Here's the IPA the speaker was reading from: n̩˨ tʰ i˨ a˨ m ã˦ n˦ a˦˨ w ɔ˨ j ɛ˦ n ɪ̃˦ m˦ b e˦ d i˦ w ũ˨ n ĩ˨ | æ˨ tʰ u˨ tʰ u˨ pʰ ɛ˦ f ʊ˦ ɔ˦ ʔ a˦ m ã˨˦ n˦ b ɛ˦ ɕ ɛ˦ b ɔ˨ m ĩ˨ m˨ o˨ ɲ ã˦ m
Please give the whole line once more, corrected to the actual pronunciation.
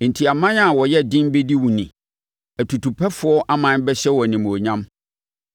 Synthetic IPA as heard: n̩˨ tʰ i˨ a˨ m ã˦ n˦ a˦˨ w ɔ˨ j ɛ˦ d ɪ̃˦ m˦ b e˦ d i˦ w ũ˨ n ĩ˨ | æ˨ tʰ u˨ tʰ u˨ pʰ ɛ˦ f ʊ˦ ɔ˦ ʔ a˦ m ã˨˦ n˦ b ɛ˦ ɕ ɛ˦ w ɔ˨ n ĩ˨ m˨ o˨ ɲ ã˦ m